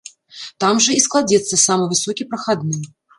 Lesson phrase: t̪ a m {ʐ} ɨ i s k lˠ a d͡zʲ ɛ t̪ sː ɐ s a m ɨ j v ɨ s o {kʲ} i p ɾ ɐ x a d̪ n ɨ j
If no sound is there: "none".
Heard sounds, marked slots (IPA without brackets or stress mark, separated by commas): ʐ, kʲ